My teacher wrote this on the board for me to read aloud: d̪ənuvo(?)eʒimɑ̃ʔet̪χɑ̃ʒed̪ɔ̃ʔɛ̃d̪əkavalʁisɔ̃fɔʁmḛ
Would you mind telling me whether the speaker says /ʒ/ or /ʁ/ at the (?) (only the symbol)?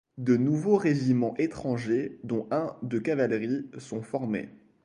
ʁ